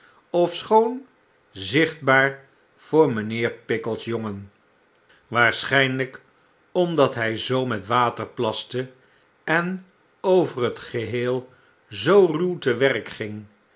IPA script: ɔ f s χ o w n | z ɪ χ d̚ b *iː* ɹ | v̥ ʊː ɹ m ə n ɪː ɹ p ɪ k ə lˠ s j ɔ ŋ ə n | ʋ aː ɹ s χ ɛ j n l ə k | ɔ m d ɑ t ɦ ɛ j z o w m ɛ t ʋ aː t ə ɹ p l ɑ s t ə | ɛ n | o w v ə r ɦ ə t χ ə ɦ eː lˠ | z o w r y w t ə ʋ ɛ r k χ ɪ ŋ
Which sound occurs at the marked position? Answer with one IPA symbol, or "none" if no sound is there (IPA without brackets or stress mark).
aː